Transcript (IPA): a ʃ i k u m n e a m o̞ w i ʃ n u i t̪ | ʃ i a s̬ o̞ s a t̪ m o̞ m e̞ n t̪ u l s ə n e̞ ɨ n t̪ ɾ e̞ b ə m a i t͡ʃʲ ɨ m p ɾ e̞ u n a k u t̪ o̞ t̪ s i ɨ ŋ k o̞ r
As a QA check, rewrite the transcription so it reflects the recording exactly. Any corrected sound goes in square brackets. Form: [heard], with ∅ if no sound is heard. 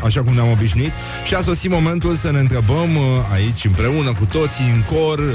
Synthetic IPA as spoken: a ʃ [a] k u m n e a m o̞ [b] i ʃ n u i t̪ | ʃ i a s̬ o̞ s [i] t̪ m o̞ m e̞ n t̪ u l s ə n e̞ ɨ n t̪ ɾ e̞ b ə m a i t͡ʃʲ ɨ m p ɾ e̞ u n [ə] k u t̪ o̞ t̪ s i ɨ ŋ k o̞ r